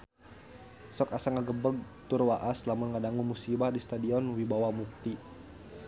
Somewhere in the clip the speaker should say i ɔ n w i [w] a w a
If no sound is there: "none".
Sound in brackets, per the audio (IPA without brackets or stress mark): b